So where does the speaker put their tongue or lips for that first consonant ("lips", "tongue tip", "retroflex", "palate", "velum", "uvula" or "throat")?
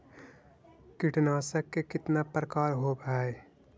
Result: velum